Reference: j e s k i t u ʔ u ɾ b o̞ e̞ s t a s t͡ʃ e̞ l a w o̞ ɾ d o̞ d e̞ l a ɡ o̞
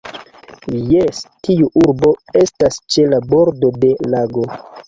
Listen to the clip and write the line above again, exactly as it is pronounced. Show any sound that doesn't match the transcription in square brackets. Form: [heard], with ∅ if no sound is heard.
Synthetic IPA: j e s [t] i [∅] u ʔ u ɾ b o̞ e̞ s t a s t͡ʃ e̞ l a [b] o̞ ɾ d o̞ d e̞ l a ɡ o̞

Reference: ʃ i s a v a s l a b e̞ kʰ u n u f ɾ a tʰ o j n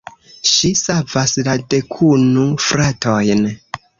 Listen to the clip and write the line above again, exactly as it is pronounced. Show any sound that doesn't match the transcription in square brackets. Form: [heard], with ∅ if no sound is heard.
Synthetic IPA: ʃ i s a v a s l a [d] e̞ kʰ u n u f ɾ a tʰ o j n

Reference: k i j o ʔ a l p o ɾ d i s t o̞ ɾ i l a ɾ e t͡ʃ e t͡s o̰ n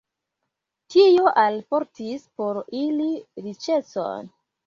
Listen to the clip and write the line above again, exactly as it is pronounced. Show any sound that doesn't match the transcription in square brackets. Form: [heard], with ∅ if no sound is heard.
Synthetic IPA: [t] i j o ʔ a l p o ɾ [t] i s [p] o̞ ɾ i l [i] ɾ [i] t͡ʃ e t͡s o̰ n

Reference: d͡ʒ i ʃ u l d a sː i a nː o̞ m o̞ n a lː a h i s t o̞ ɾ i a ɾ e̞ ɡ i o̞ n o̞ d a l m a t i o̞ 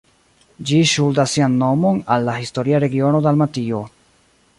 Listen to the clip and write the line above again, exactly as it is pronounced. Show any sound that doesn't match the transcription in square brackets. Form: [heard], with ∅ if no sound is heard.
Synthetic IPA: d͡ʒ i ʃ u l d a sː i a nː o̞ m o̞ n a lː a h i s t o̞ ɾ i a ɾ e̞ ɡ i o̞ n o̞ d a l m a t i o̞

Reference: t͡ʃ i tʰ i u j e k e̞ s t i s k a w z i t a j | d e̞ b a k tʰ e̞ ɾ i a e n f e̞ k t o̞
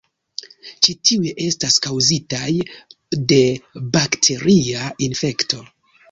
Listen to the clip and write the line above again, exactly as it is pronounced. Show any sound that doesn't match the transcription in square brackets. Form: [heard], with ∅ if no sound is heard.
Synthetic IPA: t͡ʃ i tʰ i u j e [ʔ] e̞ s t [a] s k a w z i t a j | d e̞ b a k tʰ e̞ ɾ i a [i] n f e̞ k t o̞

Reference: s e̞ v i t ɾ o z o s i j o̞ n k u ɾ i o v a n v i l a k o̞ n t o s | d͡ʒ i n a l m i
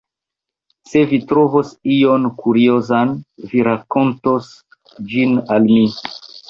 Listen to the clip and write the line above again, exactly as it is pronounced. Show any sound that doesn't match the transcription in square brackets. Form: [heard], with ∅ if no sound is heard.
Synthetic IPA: s e̞ v i t ɾ o [v] o s i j o̞ n k u ɾ i o [z] a n v i [ɾ] a k o̞ n t o s | d͡ʒ i n a l m i

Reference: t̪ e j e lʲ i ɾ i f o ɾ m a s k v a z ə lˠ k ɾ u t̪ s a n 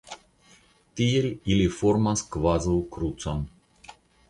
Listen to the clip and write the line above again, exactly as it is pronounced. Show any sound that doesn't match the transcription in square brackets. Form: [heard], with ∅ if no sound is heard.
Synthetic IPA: t̪ [i] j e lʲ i [l] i f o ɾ m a s k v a z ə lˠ k ɾ u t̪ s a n

